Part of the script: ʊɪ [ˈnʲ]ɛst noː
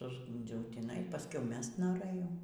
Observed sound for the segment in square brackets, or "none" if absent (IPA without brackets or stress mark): mʲ